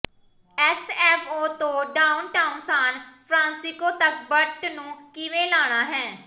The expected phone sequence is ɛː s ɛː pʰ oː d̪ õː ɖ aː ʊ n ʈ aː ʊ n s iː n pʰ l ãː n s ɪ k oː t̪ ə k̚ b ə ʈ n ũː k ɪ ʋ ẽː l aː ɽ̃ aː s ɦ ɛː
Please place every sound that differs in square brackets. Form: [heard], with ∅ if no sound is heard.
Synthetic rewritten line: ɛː s ɛː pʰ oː [t̪] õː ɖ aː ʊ n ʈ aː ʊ n s [aː] n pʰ [ɾ] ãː n s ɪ k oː t̪ ə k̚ b ə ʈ n ũː k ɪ ʋ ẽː l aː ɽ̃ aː [∅] ɦ ɛː